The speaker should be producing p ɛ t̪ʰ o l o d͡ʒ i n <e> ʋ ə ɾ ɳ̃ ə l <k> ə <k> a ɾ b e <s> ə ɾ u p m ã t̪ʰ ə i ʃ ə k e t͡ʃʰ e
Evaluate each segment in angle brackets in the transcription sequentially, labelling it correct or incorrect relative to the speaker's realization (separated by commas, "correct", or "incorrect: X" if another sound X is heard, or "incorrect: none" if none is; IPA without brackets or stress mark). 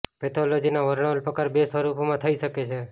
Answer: incorrect: a, incorrect: p, correct, correct